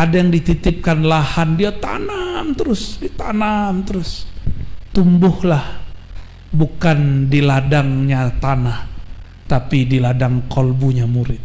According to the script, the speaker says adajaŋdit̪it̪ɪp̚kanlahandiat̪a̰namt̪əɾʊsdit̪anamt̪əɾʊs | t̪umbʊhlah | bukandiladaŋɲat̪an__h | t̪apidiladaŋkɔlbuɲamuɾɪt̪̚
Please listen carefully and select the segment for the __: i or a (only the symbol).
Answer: a